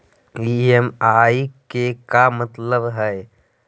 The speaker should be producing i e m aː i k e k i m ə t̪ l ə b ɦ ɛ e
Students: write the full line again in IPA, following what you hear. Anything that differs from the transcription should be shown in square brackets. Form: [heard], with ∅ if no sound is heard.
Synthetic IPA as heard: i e m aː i k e k [a] m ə t̪ l ə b ɦ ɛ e